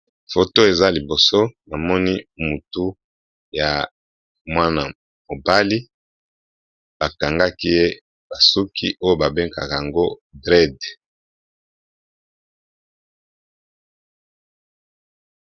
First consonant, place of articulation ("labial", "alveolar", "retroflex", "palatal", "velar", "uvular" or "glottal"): labial